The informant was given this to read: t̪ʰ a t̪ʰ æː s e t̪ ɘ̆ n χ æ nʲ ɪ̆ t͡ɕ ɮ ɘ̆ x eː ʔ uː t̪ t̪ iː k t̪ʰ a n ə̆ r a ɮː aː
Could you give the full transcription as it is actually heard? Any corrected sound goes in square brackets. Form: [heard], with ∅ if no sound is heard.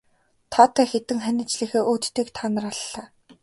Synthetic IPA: t̪ʰ a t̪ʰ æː [x] e t̪ ɘ̆ [ŋ] χ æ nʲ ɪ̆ t͡ɕ ɮ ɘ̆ x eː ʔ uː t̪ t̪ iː k t̪ʰ a n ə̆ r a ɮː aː